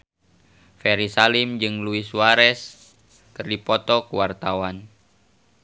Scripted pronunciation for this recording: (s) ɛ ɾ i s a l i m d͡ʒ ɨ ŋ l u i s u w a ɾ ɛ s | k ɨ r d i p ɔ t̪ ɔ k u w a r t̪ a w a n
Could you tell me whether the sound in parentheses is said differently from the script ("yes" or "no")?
yes